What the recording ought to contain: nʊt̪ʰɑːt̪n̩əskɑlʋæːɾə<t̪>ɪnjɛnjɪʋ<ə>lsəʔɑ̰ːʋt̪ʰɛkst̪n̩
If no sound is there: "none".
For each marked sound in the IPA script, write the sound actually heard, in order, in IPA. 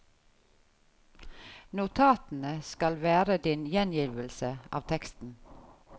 d̪, ə

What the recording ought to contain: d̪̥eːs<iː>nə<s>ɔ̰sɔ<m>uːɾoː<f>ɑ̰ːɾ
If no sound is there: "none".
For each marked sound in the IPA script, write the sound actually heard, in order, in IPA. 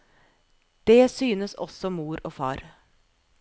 yː, s, m, f

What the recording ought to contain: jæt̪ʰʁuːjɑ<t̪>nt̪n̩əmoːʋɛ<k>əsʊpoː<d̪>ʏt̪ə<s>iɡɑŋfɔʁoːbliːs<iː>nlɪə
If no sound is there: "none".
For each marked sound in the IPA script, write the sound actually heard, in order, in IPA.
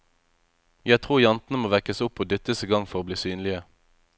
none, k, d̪, s, yː

